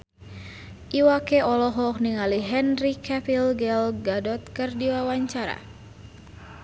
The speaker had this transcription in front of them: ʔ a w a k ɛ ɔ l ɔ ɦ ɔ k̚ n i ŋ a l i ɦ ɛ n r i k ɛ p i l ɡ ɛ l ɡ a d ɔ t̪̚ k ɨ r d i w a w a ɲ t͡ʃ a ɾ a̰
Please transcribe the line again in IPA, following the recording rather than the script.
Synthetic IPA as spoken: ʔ i w a k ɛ ɔ l ɔ ɦ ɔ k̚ n i ŋ a l i ɦ ɛ n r i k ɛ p i l ɡ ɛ l ɡ a d ɔ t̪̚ k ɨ r d i w a w a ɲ t͡ʃ a ɾ a̰